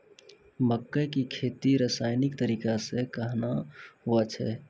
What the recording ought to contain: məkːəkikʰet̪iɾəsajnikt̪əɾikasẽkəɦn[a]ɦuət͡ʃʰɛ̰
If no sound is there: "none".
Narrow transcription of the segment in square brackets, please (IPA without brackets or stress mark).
a